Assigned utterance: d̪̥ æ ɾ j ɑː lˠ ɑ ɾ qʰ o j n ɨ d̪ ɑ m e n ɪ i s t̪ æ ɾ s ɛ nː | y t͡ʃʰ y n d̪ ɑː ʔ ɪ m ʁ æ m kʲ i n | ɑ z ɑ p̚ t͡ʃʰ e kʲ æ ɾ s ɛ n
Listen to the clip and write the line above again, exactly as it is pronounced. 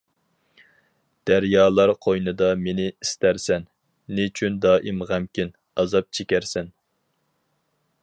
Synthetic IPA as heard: d̪̥ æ ɾ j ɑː lˠ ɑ ɾ qʰ o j n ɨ d̪ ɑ m e n ɪ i s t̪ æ ɾ s ɛ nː | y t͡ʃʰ y n d̪ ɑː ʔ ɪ m ʁ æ m kʲ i n | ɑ z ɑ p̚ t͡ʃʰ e kʲ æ ɾ s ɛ n